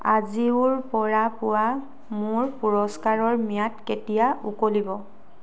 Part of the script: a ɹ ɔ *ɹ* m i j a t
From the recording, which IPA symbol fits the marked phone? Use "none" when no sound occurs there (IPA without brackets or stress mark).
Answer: ɹ